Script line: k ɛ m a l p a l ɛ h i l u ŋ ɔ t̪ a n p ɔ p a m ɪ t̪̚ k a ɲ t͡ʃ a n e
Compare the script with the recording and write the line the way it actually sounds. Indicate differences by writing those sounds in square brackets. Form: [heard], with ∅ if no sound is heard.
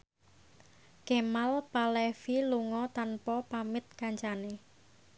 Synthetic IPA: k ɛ m a l p a l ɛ [f] i l u ŋ ɔ t̪ a n p ɔ p a m ɪ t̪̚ k a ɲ t͡ʃ a n e